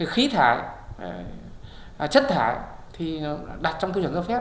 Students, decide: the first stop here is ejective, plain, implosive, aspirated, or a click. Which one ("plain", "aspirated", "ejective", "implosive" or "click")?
aspirated